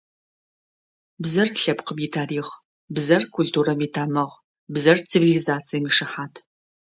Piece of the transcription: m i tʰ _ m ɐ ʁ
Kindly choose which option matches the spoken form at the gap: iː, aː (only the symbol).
aː